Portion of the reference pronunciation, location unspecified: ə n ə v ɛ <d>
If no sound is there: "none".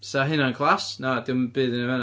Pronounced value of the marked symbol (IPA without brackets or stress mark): n